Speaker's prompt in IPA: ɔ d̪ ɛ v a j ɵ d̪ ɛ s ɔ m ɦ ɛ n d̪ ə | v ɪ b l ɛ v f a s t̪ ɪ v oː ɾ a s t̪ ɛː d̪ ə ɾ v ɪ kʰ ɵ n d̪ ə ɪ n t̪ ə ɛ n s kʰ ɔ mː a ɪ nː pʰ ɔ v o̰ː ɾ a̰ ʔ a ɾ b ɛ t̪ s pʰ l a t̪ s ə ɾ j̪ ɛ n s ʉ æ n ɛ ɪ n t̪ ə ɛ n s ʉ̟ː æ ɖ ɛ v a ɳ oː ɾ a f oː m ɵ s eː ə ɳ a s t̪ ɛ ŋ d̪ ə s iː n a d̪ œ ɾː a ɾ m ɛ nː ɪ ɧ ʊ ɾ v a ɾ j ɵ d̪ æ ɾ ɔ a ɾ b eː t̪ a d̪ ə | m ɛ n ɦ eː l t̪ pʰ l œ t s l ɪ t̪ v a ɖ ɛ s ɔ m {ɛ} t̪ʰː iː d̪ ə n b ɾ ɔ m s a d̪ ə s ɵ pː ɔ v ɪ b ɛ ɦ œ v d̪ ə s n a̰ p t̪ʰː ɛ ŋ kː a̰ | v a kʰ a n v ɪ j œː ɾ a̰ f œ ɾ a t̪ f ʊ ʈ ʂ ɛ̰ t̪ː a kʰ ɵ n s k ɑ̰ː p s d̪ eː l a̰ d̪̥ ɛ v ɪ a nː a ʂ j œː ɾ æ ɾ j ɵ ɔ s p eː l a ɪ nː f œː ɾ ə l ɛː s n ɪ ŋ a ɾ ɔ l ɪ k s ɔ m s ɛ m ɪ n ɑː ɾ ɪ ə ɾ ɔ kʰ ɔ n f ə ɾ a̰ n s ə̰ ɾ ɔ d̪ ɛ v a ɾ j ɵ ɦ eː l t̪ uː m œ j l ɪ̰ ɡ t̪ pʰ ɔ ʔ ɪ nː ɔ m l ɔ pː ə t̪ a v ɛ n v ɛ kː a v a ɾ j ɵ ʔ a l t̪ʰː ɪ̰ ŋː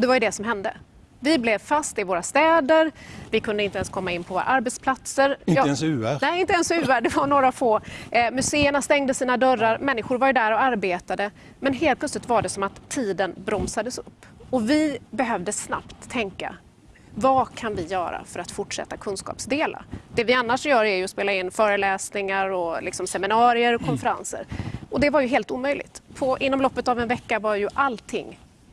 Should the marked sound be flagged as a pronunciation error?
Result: yes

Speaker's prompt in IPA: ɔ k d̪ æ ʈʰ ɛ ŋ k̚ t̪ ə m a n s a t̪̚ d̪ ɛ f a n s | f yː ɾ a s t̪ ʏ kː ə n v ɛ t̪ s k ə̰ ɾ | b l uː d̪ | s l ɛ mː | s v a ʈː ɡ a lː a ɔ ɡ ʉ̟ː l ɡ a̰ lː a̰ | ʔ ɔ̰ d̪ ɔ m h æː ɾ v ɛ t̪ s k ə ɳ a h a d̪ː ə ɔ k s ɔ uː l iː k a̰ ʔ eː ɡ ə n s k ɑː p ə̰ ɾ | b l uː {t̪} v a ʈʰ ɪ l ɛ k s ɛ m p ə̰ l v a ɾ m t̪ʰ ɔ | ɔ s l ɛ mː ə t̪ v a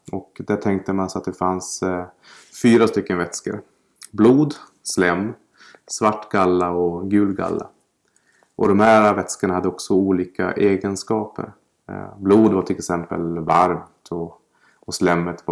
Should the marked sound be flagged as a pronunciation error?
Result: yes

